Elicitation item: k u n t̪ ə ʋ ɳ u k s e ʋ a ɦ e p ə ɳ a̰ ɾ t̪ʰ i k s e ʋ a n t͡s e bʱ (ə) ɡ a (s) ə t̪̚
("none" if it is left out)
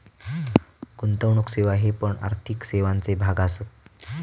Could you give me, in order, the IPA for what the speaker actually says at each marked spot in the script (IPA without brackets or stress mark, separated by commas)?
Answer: a, s